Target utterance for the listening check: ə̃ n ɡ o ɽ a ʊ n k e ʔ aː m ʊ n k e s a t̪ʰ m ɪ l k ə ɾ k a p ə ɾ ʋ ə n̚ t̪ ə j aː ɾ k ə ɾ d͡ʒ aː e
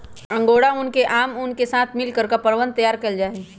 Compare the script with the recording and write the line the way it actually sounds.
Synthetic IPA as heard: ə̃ ŋ ɡ o ɽ a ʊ n k e ʔ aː m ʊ n k e s a t̪ʰ m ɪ l k ə ɾ k a p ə ɾ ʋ ə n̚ t̪ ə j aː ɾ k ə l d͡ʒ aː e